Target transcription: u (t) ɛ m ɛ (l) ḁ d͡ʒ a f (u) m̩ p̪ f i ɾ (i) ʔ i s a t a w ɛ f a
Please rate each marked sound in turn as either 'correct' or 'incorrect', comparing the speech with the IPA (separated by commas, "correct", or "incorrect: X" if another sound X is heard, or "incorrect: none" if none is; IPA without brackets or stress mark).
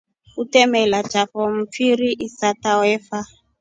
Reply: correct, correct, incorrect: ɔ, correct